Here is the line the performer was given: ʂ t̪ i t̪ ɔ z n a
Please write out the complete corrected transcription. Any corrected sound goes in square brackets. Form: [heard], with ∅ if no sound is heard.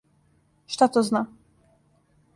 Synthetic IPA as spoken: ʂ t̪ [a] t̪ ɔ z n a